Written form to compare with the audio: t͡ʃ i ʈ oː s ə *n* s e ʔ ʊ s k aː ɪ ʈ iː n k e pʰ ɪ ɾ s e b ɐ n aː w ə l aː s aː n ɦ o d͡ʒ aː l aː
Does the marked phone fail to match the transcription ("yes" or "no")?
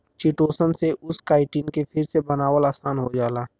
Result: no